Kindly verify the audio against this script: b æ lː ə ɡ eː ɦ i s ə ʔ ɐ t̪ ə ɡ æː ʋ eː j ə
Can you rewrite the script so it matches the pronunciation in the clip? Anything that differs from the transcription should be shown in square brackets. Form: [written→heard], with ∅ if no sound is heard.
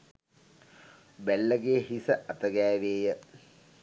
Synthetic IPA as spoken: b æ lː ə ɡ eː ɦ i s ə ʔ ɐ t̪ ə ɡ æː ʋ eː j ə